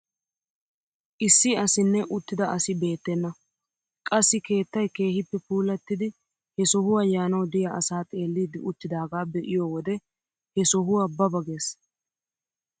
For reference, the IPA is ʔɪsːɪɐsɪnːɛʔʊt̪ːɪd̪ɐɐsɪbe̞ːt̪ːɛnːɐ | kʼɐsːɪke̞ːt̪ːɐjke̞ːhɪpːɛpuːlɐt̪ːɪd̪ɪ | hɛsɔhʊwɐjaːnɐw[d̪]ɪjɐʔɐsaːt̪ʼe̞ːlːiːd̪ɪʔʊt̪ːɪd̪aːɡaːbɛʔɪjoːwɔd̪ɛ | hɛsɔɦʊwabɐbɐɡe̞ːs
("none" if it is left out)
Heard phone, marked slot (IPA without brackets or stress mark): d̪